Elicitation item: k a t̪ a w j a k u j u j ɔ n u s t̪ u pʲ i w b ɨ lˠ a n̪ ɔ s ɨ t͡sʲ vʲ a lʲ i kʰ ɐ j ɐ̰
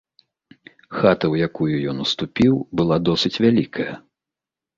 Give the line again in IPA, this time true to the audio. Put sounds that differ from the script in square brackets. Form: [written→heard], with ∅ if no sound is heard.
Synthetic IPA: [k→x] a t̪ [a→ɐ] w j a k u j u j ɔ n u s t̪ u pʲ i w b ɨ lˠ a [n̪→d̪] ɔ s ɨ t͡sʲ vʲ a lʲ i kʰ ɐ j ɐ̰